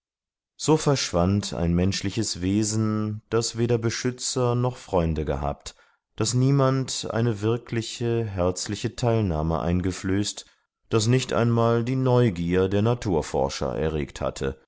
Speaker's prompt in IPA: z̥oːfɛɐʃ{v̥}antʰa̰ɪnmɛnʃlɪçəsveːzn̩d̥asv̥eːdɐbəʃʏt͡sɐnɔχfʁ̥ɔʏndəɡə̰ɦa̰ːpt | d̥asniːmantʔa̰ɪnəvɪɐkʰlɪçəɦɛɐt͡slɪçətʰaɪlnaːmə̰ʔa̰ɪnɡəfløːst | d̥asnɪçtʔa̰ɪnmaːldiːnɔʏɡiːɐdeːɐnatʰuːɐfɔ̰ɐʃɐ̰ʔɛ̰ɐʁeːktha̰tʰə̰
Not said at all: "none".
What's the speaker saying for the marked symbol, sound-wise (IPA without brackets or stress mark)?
v̥